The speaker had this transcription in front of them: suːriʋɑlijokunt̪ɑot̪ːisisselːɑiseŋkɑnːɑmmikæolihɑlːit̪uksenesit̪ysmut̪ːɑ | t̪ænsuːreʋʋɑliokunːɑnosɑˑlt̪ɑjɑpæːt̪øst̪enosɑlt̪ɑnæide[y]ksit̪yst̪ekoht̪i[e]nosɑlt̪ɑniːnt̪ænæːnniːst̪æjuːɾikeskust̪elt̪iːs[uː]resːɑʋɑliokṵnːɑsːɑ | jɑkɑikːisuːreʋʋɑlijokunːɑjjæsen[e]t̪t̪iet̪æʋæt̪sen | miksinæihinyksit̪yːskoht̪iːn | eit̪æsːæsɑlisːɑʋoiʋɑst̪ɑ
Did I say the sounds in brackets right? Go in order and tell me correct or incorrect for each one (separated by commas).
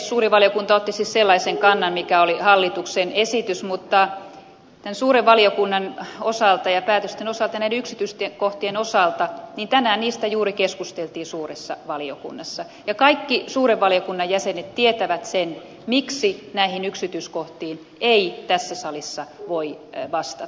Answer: correct, correct, correct, correct